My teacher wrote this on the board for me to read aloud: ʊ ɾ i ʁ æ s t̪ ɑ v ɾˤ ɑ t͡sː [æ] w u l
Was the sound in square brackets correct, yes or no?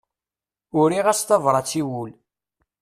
no